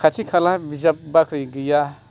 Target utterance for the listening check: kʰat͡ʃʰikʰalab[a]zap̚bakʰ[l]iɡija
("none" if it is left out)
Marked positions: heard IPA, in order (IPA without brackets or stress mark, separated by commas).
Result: i, ɾ